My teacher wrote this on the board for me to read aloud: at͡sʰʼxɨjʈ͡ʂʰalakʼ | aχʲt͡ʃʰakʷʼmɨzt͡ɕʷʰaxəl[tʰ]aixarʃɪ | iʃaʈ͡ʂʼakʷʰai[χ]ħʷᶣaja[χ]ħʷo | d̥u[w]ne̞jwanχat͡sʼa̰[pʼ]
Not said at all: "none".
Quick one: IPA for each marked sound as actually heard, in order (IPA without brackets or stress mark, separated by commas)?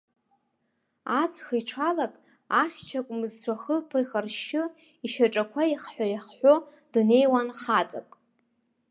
pʰ, χ, χ, none, kʼ